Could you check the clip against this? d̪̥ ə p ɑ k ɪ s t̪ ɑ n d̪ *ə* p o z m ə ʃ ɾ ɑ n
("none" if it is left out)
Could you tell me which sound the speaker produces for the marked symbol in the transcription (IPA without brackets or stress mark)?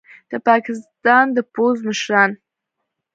ə